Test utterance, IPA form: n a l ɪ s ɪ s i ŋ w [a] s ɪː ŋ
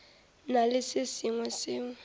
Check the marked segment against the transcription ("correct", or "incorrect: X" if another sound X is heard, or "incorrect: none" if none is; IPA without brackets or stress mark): incorrect: ɛ